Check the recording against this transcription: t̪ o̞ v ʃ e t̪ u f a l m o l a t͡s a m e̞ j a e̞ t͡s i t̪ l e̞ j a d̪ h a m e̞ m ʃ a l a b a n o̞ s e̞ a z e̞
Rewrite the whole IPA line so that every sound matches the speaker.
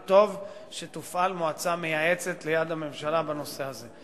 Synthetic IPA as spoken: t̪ o̞ v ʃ e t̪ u f a l m o a t͡s a m e̞ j a e̞ t͡s e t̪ l e̞ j a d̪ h a m e̞ m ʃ a l a b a n o̞ s e̞ a z e̞